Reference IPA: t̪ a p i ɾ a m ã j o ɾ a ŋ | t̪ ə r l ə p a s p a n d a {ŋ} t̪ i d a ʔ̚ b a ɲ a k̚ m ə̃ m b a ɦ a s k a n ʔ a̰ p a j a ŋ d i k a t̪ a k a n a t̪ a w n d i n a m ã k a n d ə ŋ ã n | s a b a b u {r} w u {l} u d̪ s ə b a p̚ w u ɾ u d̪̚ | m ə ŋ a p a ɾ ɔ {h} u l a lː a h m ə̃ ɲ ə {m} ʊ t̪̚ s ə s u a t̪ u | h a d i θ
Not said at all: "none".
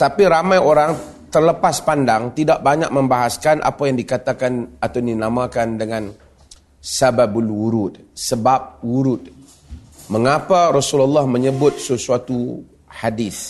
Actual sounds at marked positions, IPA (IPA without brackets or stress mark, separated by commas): ŋ, l, ɾ, s, b